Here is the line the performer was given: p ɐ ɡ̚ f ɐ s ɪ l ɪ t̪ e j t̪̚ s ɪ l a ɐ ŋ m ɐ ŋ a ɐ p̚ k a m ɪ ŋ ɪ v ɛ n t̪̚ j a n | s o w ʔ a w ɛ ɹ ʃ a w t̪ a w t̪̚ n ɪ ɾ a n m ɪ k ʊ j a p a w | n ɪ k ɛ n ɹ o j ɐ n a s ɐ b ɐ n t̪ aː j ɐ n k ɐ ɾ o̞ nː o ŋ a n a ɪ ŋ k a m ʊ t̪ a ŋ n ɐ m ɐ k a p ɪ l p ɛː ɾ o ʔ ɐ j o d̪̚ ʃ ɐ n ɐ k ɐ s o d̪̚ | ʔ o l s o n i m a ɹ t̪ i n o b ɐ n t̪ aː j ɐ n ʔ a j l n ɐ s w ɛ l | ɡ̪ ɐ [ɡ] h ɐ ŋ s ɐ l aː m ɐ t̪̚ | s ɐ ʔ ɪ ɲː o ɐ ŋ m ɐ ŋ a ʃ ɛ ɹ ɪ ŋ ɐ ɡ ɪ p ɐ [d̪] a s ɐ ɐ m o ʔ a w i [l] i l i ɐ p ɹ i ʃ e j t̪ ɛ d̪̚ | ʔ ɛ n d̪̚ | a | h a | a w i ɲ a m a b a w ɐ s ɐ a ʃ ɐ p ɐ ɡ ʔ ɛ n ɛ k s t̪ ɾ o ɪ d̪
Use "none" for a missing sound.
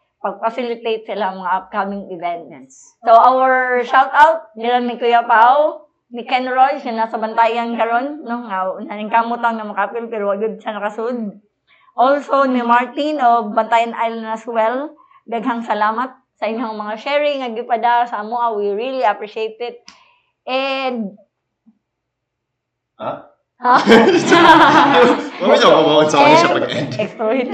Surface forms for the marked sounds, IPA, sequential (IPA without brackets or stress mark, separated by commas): ɡ, d̪, ɹ